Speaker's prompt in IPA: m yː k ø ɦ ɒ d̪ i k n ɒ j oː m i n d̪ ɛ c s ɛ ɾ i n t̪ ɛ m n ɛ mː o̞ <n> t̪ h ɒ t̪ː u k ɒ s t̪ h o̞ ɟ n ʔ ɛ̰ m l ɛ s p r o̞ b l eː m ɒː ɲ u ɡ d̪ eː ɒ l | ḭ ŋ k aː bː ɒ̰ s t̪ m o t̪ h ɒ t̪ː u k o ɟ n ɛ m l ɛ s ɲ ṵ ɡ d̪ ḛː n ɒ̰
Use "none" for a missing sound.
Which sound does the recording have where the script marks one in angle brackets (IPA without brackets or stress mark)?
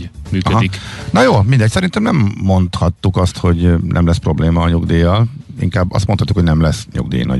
n